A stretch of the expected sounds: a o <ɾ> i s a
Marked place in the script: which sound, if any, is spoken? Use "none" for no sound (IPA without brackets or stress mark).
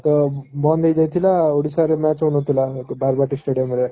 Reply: ɽ